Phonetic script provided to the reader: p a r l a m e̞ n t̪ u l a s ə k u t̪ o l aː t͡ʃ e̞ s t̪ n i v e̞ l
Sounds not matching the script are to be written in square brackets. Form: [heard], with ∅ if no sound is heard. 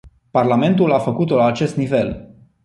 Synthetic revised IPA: p a r l a m e̞ n t̪ u l a [f] ə k u t̪ o l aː t͡ʃ e̞ s t̪ n i v e̞ l